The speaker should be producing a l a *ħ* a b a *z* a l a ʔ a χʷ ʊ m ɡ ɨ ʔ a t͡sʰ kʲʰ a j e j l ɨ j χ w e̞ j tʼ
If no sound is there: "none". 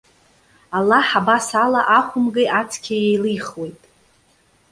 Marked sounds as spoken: ħ, s

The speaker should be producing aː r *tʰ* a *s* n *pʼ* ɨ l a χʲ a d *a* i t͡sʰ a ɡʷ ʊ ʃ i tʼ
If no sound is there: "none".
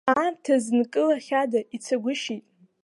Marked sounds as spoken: tʰ, z, kʼ, a

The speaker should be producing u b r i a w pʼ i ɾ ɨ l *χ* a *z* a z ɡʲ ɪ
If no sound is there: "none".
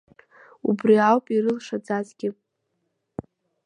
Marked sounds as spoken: ʂ, d͡z

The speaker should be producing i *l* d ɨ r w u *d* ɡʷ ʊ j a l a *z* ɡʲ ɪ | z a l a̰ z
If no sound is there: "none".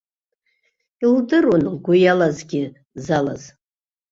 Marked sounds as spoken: l, n, z

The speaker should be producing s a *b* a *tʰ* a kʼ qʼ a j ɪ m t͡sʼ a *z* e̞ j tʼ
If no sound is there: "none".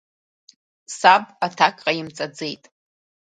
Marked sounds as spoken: b, tʰ, d͡z

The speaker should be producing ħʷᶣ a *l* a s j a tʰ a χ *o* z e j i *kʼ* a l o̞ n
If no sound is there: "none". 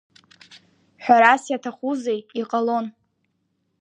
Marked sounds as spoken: ɾ, u, qʼ

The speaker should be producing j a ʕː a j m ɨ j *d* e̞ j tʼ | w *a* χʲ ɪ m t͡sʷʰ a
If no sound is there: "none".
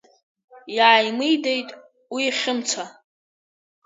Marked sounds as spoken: d, i

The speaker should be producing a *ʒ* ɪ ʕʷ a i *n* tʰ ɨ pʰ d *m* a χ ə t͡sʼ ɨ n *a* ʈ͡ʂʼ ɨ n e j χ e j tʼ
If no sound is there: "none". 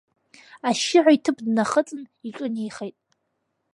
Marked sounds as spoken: ʃ, none, n, i

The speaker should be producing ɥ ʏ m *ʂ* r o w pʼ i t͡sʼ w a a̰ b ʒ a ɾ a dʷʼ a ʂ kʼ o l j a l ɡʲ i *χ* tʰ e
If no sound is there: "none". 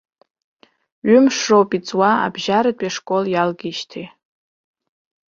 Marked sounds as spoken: ʂ, ʃ

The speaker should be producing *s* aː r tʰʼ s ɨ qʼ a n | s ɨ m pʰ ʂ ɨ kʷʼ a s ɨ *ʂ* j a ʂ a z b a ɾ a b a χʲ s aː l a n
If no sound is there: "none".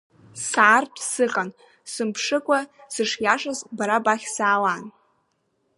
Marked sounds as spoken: s, ʂ

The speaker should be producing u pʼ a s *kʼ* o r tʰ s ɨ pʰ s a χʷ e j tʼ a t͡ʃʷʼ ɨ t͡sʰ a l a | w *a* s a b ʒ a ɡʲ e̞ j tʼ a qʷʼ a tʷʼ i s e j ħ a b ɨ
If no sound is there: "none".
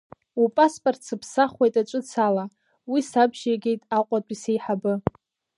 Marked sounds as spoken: pʼ, i

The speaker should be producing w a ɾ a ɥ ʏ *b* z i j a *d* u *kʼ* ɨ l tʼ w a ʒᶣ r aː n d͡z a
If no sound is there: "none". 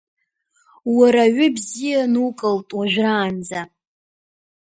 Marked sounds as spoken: b, n, kʼ

